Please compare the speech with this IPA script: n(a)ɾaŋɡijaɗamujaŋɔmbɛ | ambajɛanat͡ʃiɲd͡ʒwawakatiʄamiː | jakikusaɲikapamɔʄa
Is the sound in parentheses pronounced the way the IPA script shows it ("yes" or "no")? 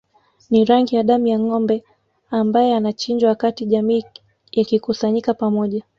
no